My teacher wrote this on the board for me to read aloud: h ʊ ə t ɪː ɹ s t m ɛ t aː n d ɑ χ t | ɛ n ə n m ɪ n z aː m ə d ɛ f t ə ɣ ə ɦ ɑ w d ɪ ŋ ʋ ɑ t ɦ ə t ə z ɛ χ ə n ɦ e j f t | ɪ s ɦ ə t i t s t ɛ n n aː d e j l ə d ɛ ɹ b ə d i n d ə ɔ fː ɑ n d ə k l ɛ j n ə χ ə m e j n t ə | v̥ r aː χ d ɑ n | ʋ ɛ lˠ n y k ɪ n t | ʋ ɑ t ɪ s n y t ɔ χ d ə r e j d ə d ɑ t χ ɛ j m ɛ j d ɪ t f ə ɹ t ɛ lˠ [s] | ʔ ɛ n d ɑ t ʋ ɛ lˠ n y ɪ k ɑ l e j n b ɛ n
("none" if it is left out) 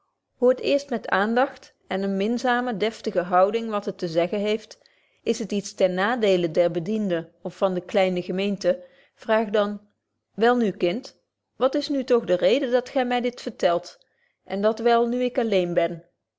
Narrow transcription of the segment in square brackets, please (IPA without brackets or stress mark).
t